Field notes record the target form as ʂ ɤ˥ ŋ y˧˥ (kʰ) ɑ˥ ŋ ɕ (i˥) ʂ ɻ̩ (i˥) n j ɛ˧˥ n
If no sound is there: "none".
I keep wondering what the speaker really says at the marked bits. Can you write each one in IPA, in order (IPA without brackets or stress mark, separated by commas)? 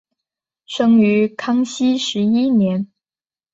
kʰ, i˥, i˥